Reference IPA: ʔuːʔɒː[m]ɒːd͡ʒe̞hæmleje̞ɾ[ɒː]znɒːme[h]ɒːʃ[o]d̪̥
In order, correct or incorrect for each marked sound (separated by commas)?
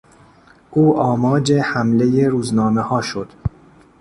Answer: correct, incorrect, correct, correct